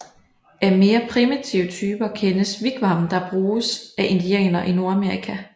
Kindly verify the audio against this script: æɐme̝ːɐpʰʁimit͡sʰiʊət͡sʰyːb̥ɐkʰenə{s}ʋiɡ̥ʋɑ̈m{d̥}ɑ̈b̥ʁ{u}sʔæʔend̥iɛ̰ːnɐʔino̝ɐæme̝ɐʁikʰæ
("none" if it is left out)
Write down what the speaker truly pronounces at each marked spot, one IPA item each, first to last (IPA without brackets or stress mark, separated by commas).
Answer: s, d̥, uː